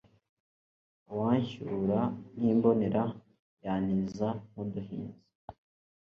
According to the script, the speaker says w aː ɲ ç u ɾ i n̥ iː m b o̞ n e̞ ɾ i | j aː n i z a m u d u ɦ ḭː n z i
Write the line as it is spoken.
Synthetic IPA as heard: w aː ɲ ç u ɾ a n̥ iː m b o̞ n e̞ ɾ a | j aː n i z a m u d u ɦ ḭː n z i